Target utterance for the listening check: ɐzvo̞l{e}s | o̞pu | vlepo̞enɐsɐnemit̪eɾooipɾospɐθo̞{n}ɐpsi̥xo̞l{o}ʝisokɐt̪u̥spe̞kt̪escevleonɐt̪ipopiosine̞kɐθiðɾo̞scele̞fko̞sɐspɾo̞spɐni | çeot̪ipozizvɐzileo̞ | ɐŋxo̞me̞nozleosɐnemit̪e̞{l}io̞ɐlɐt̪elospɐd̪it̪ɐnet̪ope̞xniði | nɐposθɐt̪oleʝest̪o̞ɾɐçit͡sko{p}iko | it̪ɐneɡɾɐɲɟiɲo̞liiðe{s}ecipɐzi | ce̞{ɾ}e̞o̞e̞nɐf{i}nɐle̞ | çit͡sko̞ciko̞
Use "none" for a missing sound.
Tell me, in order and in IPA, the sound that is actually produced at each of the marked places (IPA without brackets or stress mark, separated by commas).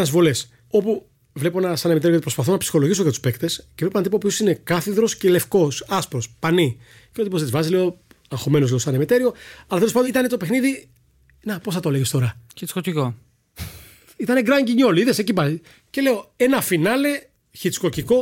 e, n, o, ɾ, c, s, l, i